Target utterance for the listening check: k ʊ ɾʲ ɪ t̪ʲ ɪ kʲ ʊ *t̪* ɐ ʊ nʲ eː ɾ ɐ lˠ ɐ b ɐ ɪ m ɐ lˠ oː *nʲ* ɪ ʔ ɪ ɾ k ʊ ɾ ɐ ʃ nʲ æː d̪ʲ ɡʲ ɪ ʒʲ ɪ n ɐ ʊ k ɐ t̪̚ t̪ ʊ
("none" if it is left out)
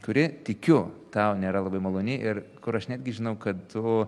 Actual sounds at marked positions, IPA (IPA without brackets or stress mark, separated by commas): t̪, nʲ